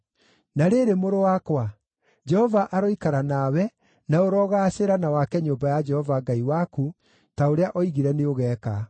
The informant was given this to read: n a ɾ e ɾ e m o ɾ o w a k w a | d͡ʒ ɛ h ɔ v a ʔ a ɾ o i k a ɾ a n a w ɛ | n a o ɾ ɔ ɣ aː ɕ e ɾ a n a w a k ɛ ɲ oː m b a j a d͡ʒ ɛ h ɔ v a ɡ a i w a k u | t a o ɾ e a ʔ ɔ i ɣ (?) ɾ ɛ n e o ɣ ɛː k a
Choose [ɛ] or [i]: i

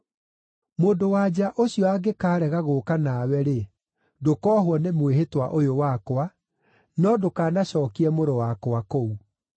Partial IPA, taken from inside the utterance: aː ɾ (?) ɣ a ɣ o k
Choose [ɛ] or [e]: ɛ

